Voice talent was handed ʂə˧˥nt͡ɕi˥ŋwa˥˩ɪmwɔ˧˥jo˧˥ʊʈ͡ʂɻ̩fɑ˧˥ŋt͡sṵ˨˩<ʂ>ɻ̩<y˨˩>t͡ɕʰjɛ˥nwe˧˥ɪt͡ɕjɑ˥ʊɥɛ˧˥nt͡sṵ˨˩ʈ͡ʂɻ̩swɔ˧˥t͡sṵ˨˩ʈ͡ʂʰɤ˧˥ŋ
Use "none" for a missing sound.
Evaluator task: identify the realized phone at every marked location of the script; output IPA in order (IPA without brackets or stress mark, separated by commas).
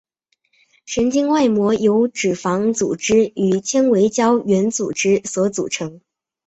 ʈ͡ʂ, y˨˩